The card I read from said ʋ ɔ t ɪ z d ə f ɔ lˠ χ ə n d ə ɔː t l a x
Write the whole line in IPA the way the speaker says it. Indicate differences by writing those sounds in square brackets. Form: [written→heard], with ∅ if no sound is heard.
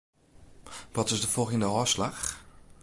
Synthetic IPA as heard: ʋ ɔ t ɪ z d ə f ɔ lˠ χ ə n d ə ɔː [t→s] l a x